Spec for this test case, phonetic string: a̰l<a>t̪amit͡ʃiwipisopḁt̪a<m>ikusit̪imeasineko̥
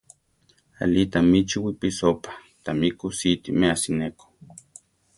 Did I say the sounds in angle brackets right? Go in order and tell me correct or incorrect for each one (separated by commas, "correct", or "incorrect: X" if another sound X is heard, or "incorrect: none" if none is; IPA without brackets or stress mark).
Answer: incorrect: i, correct